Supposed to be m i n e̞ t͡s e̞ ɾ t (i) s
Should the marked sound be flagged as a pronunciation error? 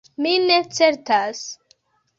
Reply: yes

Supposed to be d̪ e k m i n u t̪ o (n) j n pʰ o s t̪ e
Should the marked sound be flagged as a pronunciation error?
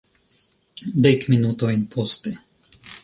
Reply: yes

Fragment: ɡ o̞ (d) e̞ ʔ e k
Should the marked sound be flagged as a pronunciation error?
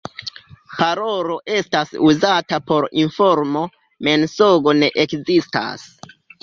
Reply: yes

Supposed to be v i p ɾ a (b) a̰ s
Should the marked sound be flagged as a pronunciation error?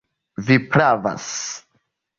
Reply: yes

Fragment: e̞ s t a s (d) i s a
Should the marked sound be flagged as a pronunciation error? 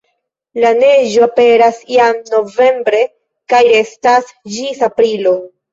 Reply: yes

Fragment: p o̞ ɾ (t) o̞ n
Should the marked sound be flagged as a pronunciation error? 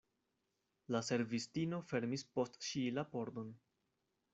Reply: yes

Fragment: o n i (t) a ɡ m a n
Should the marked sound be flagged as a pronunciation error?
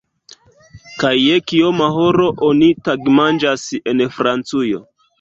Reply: no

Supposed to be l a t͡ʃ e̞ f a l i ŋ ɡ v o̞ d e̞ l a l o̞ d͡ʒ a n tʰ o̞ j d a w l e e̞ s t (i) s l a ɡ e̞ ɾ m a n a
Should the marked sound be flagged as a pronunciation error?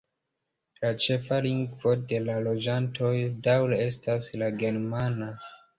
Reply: yes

